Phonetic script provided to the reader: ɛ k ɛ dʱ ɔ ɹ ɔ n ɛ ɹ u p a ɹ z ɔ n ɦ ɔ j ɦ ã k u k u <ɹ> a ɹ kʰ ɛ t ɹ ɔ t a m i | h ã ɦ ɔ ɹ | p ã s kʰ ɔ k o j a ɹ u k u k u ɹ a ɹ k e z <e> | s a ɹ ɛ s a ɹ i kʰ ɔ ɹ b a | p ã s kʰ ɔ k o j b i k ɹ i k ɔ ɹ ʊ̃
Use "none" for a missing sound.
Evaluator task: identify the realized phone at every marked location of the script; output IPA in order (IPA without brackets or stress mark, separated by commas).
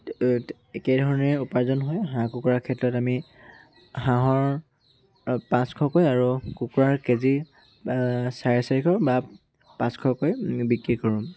ɹ, i